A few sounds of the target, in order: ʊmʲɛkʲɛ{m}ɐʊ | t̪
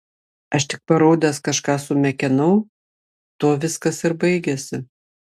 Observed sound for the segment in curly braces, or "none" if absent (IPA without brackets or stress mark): n